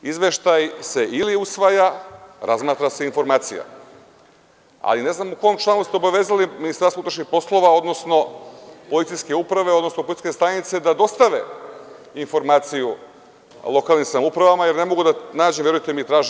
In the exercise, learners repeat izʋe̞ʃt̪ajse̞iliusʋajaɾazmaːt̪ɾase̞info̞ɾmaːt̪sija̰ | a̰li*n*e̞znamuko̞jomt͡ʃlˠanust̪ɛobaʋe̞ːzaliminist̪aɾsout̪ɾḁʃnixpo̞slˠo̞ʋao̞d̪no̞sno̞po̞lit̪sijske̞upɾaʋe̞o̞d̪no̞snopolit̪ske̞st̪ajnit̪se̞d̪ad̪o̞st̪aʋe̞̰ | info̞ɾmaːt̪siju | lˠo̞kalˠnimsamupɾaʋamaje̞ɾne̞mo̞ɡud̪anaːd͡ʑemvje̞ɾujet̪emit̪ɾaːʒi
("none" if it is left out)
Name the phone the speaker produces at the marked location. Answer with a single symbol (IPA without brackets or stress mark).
n